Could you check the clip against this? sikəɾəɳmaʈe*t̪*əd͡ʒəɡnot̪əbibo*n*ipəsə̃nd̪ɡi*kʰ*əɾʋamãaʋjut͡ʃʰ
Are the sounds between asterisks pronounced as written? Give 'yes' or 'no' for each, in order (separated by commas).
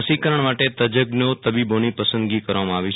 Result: yes, yes, no